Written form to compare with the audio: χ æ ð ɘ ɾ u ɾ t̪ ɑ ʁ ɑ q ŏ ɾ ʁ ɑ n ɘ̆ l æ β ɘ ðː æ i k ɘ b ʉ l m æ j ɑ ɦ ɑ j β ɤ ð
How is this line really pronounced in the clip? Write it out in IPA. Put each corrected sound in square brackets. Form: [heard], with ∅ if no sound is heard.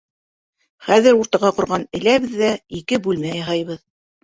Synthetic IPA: χ æ ð ɘ ɾ u ɾ t̪ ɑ ʁ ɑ q ŏ ɾ ʁ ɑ n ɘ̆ l æ β ɘ ðː æ i k ɘ b ʉ l m æ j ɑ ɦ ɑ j β ɤ ð